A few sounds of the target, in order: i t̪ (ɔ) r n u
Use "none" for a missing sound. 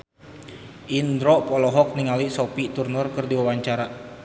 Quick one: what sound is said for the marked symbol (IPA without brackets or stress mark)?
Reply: u